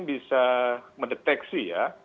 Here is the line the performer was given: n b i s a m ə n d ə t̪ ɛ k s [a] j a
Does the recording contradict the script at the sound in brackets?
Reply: yes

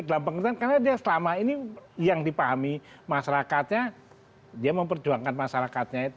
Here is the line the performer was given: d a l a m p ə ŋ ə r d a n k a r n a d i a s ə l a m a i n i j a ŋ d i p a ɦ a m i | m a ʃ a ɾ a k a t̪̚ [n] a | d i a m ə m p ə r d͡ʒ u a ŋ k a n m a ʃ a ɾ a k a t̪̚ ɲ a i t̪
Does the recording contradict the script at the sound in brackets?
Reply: yes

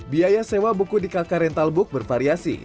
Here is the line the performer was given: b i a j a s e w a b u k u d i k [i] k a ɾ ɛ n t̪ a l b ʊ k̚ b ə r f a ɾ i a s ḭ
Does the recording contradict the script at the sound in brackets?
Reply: yes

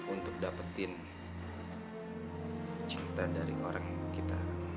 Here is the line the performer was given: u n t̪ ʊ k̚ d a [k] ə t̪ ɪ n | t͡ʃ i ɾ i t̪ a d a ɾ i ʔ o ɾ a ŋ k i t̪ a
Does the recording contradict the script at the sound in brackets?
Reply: yes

